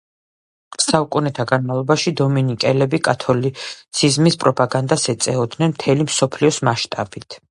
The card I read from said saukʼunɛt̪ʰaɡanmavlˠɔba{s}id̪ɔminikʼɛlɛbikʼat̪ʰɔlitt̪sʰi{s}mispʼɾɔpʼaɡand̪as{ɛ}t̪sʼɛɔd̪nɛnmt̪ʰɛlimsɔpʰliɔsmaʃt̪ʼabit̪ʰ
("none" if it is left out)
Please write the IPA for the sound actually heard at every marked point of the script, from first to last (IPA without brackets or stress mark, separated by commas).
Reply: ʃ, z, ɛ